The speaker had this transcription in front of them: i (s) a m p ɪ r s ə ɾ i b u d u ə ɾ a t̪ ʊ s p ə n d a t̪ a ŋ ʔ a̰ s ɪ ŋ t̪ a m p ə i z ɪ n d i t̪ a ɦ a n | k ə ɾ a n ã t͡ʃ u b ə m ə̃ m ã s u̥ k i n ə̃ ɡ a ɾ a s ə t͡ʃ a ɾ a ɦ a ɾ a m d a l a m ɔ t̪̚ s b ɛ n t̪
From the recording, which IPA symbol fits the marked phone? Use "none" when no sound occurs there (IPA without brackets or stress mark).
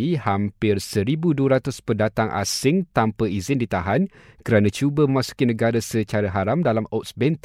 h